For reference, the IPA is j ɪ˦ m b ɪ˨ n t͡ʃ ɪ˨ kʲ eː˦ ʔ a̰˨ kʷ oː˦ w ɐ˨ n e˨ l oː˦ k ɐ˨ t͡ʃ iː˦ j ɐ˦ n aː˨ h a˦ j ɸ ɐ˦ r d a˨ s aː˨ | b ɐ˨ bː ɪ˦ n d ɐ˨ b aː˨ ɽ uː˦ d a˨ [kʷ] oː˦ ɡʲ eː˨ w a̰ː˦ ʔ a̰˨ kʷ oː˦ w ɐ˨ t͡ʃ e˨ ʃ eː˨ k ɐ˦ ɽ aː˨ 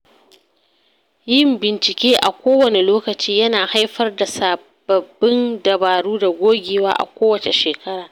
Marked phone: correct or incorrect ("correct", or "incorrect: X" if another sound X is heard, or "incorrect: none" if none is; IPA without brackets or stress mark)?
incorrect: ɡʷ